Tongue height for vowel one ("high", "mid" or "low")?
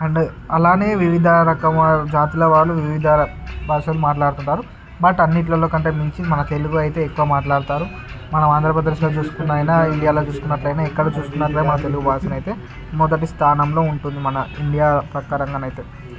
low